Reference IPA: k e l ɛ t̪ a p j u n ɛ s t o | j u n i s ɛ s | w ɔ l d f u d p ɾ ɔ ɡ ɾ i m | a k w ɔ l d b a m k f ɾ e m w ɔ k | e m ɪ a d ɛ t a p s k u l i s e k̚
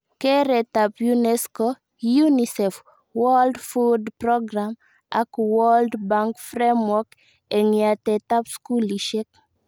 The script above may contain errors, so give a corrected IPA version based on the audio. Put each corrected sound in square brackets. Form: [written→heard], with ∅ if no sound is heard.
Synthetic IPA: k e [l→ɾ] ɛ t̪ a p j u n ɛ s [t→k] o | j u n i s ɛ [s→f] | w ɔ l d f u d p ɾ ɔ ɡ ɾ [i→a] m | a k w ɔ l d b a [m→ŋ] k f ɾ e m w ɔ k | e [m→ŋ] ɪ a [d→t] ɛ t a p s k u l i [s→ʃ] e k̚